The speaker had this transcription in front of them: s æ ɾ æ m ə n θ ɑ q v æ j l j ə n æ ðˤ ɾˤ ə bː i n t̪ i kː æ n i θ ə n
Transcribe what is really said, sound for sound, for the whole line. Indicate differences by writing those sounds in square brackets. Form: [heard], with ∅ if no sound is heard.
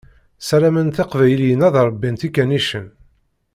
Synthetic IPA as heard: s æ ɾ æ m ə n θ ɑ q v æ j l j ə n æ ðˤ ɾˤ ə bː i n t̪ i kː æ n i [ʃ] ə n